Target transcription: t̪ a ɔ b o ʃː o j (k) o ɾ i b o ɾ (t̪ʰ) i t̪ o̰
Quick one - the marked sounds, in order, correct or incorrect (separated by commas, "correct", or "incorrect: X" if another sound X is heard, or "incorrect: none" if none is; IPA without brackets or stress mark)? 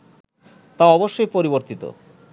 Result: incorrect: p, incorrect: t̪